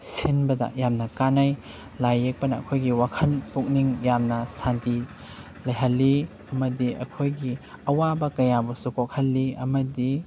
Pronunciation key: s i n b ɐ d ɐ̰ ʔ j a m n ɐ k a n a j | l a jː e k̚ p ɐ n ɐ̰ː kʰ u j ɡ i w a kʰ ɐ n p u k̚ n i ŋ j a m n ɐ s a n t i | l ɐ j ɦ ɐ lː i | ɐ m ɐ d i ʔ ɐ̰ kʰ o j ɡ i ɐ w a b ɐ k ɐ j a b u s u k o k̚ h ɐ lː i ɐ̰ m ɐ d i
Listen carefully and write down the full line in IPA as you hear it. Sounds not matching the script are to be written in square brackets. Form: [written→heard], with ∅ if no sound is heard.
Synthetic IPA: s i n b ɐ d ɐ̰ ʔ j a m n ɐ k a n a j | l a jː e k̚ p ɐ n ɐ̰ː kʰ [u→o] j ɡ i w a kʰ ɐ n p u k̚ n i ŋ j a m n ɐ s a n t i | l ɐ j ɦ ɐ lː i | ɐ m ɐ d i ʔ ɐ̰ kʰ o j ɡ i ɐ w a b ɐ k ɐ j a b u s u k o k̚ h ɐ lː i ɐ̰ m ɐ d i